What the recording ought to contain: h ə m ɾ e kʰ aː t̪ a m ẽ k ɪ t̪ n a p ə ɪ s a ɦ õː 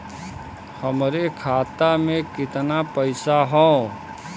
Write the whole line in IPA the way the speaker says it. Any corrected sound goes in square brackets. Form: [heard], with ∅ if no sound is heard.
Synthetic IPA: h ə m ɾ e kʰ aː t̪ a m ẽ k ɪ t̪ n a p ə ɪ s a ɦ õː

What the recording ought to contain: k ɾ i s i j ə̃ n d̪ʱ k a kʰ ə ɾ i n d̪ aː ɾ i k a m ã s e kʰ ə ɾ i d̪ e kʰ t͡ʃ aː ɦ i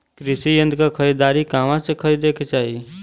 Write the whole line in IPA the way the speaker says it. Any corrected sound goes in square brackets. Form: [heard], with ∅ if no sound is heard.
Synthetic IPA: k ɾ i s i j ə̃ n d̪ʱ k a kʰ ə ɾ i [∅] d̪ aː ɾ i k a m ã s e kʰ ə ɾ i d̪ e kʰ t͡ʃ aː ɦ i

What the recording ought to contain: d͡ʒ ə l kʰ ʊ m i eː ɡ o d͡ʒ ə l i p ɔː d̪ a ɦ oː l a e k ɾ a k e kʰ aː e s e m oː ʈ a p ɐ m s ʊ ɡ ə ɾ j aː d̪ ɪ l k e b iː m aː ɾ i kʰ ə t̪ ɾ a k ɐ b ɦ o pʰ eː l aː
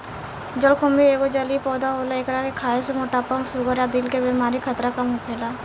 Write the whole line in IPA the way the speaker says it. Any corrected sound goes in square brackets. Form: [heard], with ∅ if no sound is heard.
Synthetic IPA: d͡ʒ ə l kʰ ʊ m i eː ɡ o d͡ʒ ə l i p ɔː d̪ a ɦ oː l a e k ɾ a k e kʰ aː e s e m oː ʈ a p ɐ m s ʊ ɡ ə ɾ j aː d̪ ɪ l k e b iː m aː ɾ i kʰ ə t̪ ɾ a k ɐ [m] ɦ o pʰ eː l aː

